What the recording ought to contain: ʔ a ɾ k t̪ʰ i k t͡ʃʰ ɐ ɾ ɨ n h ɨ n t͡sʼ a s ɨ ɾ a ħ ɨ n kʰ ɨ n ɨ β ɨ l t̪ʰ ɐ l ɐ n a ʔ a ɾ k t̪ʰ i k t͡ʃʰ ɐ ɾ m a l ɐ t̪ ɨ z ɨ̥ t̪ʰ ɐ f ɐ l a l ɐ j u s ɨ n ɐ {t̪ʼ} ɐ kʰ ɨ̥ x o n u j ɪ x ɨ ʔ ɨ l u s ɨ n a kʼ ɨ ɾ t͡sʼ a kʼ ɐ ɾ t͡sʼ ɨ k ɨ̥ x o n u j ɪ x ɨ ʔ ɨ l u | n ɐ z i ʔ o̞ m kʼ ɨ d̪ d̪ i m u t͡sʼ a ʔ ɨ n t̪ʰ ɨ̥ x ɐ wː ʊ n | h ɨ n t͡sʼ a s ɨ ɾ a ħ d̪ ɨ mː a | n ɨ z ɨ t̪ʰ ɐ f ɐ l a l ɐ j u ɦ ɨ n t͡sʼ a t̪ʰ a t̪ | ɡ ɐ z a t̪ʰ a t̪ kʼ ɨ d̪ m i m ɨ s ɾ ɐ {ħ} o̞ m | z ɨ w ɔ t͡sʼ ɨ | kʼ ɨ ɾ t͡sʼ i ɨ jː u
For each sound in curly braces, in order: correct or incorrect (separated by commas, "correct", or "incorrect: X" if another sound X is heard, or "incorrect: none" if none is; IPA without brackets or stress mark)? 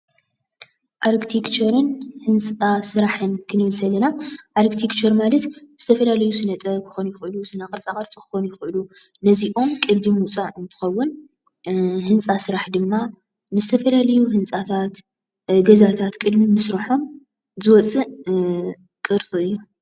correct, correct